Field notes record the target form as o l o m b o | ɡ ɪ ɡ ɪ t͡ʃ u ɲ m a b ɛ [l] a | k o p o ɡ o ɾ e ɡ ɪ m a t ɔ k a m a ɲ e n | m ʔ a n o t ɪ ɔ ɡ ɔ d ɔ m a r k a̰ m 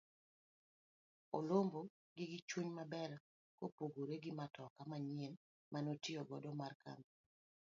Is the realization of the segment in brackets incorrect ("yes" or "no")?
yes